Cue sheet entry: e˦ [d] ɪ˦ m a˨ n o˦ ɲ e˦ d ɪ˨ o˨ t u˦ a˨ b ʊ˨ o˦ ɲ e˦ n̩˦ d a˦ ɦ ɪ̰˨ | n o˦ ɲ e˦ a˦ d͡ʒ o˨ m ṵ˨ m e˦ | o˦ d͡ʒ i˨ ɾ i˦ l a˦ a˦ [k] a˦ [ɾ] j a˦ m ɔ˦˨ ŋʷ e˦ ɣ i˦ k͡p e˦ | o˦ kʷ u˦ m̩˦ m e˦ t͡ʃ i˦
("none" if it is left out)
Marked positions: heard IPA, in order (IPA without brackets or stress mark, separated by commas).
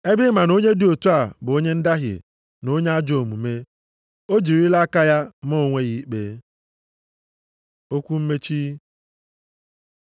b, k, none